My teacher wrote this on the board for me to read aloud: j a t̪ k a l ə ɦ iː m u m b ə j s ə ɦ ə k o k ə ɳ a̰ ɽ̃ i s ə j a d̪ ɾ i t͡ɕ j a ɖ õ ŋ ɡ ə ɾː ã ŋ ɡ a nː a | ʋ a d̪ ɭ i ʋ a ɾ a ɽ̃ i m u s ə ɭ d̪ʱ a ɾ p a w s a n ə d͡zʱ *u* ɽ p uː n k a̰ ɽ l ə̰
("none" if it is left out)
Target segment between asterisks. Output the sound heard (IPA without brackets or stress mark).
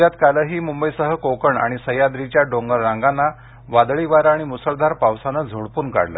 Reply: o